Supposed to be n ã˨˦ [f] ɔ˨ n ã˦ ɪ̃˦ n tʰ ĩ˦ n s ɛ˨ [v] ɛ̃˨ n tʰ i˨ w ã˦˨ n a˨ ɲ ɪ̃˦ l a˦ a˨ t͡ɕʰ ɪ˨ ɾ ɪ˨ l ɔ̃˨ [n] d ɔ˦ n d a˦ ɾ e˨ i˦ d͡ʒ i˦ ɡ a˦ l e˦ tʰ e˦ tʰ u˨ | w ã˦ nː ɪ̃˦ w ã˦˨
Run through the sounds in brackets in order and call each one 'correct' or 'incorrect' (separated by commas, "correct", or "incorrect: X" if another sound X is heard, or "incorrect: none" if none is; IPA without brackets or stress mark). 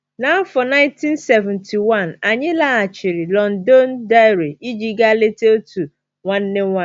correct, correct, correct